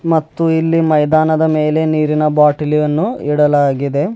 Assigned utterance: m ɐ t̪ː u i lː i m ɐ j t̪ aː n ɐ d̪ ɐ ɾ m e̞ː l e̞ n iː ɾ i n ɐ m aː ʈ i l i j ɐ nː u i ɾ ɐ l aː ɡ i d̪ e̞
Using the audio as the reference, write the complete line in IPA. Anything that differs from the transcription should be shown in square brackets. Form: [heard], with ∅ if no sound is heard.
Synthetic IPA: m ɐ t̪ː u i lː i m ɐ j [d̪] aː n ɐ d̪ ɐ [∅] m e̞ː l e̞ n iː ɾ i n ɐ [b] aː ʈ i l i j ɐ nː u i [ɽ] ɐ l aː ɡ i d̪ e̞